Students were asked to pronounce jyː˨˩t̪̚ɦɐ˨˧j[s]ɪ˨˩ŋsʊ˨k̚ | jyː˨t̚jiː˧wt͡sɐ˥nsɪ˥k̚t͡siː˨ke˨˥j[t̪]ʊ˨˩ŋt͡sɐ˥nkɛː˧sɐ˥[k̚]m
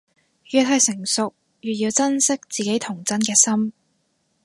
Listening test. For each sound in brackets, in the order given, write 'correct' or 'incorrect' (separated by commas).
correct, incorrect, incorrect